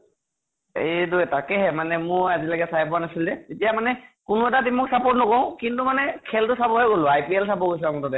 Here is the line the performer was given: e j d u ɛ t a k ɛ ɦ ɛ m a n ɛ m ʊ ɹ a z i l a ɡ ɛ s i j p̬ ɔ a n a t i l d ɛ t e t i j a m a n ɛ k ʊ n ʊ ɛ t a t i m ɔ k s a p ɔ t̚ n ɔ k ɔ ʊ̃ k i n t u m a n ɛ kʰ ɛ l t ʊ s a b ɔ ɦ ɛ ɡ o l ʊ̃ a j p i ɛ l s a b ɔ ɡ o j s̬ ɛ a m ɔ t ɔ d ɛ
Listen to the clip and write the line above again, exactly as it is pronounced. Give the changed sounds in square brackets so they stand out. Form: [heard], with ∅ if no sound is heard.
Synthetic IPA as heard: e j d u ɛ t a k ɛ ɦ ɛ m a n ɛ m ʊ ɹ a z i l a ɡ ɛ s [a] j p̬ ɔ a n a [s] i l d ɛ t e t i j a m a n ɛ k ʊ n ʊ ɛ t a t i m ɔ k s a p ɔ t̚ n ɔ k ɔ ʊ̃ k i n t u m a n ɛ kʰ ɛ l t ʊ s a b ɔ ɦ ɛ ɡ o l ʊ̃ a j p i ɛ l s a b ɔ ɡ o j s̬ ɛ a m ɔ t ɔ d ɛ